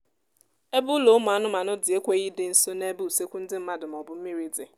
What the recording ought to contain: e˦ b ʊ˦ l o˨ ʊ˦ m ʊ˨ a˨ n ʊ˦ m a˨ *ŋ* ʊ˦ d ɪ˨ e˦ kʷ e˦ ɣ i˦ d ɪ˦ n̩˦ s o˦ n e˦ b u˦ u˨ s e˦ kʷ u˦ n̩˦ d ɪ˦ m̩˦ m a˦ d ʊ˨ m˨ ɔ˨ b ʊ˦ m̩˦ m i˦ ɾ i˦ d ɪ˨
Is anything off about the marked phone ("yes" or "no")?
yes